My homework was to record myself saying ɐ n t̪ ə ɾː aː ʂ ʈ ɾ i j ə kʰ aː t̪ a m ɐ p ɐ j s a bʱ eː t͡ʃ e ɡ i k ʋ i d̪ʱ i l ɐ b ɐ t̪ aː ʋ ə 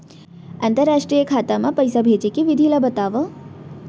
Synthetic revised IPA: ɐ n t̪ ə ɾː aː ʂ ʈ ɾ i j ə kʰ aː t̪ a m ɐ p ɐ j s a bʱ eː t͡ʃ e k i ʋ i d̪ʱ i l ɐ b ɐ t̪ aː ʋ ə